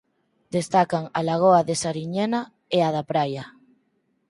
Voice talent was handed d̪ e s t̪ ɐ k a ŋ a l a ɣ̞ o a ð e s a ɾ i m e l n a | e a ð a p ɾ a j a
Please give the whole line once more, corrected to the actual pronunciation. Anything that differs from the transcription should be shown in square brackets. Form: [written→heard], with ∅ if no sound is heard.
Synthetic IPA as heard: d̪ e s t̪ [ɐ→a] k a ŋ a l a ɣ̞ o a ð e s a ɾ i [m→ɲ] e [l→∅] n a | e a ð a p ɾ a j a

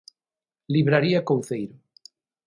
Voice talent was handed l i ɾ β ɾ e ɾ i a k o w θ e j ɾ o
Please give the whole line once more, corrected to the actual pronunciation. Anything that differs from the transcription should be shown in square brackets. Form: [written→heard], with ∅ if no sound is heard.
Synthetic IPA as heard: l i [ɾ→∅] β ɾ [e→a] ɾ i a k o w θ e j ɾ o

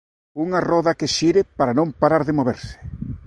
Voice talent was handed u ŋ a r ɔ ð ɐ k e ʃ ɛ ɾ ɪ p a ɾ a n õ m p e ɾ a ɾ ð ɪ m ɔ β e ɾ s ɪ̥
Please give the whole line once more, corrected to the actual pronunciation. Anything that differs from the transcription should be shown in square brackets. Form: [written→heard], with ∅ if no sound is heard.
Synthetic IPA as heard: u ŋ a r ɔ ð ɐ k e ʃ [ɛ→i] ɾ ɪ p a ɾ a n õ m p [e→a] ɾ a ɾ ð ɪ m [ɔ→o] β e ɾ s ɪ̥

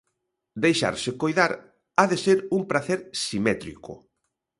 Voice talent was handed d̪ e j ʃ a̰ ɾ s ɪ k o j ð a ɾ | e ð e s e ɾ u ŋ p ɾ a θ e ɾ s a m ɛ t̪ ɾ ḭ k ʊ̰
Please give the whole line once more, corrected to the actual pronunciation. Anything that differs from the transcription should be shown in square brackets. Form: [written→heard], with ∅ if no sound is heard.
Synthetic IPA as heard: d̪ e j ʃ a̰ ɾ s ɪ k o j ð a ɾ | [e→a] ð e s e ɾ u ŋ p ɾ a θ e ɾ s [a→i] m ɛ t̪ ɾ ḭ k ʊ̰

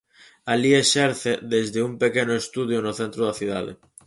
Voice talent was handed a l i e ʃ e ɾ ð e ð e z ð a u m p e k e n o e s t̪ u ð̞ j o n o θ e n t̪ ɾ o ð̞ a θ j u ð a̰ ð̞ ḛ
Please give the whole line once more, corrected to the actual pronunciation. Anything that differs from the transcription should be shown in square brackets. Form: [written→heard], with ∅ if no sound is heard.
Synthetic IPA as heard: a l i e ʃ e ɾ [ð→θ] e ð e z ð [a→e] u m p e k e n o e s t̪ u ð̞ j o n o θ e n t̪ ɾ o ð̞ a θ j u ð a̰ ð̞ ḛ

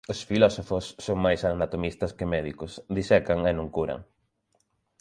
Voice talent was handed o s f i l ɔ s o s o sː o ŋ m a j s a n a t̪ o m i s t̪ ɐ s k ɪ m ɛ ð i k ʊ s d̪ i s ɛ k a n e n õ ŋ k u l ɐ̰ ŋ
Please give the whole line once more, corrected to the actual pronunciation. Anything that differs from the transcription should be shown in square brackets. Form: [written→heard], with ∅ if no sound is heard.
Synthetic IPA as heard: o s f i l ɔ s o [s→f] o sː o ŋ m a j s a n a t̪ o m i s t̪ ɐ s k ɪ m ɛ ð i k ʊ s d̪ i s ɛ k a [n→ŋ] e n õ ŋ k u [l→ɾ] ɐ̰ ŋ

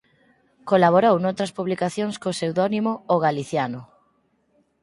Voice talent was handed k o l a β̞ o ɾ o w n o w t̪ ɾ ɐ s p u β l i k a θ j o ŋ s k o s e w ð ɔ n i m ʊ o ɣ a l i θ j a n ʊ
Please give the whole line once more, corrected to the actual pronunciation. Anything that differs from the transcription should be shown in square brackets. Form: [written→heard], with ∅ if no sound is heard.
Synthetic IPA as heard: k o l a β̞ o ɾ o w n o w t̪ ɾ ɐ s p u β l i k a θ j o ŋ s k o s e w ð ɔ n i m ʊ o ɣ a l i θ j a n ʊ

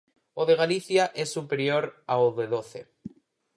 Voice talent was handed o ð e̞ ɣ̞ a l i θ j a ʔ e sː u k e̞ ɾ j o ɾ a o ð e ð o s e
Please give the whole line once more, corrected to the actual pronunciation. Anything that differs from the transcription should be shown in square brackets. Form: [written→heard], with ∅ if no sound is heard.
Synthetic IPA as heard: o ð e̞ ɣ̞ a l i θ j a ʔ e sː u [k→p] e̞ ɾ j o ɾ a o ð e ð o [s→θ] e

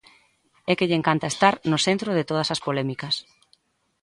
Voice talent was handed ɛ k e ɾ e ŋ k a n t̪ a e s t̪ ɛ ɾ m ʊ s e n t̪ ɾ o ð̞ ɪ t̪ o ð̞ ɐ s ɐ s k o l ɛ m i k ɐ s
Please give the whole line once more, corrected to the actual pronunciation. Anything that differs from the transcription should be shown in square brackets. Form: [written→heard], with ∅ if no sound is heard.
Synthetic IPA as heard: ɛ k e [ɾ→ʎ] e ŋ k a n t̪ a e s t̪ [ɛ→a] ɾ [m→n] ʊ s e n t̪ ɾ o ð̞ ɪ t̪ o ð̞ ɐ s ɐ s [k→p] o l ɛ m i k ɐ s

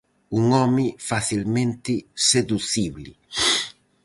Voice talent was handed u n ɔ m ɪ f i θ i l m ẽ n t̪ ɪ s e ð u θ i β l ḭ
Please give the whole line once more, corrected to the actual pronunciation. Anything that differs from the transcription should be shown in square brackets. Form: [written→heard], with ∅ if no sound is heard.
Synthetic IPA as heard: u [n→ŋ] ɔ m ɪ f [i→a] θ i l m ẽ n t̪ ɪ s e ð u θ i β l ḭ

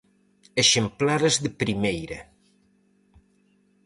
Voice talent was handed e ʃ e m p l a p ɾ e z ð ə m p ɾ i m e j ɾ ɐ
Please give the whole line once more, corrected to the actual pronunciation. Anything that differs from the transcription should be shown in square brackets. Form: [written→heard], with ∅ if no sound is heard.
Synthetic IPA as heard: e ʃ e m p l a [p→∅] ɾ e z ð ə [m→∅] p ɾ i m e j ɾ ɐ

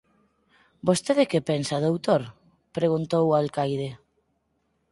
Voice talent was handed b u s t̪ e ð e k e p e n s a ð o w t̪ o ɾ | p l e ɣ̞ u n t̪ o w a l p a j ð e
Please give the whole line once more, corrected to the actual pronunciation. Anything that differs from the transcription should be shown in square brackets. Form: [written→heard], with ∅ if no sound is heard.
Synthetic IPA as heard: b [u→o] s t̪ e ð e k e p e n s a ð o w t̪ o ɾ | p [l→ɾ] e ɣ̞ u n t̪ o w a l [p→k] a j ð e

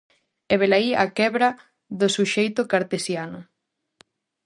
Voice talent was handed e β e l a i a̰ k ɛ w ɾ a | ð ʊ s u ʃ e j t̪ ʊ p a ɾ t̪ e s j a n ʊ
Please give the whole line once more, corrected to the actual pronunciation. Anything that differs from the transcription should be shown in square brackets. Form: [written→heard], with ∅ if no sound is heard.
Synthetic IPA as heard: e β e l a i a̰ k ɛ [w→β] ɾ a | ð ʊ s u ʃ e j t̪ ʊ [p→k] a ɾ t̪ e s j a n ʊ

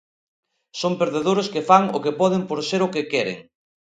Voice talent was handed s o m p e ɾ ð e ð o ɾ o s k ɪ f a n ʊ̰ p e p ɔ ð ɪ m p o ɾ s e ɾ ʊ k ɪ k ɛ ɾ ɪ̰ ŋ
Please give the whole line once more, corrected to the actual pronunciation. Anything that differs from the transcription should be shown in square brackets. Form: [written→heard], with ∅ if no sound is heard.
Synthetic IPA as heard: s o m p e ɾ ð e ð o ɾ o s k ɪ f a [n→ŋ] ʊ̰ [p→k] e p ɔ ð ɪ m p o ɾ s e ɾ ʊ k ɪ k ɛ ɾ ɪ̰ ŋ

